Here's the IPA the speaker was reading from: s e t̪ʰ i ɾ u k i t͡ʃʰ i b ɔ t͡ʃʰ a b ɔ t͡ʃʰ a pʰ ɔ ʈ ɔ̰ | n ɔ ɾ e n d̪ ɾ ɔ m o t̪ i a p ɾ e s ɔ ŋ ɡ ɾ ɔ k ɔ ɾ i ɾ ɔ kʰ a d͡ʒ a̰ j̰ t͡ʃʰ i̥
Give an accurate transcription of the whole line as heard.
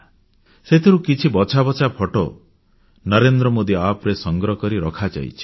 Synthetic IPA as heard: s e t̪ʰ i ɾ u k i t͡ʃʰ i b ɔ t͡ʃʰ a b ɔ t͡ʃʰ a pʰ ɔ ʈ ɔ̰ | n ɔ ɾ e n d̪ ɾ ɔ m o d̪ i a p ɾ e s ɔ ŋ ɡ ɾ ɔ k ɔ ɾ i ɾ ɔ kʰ a d͡ʒ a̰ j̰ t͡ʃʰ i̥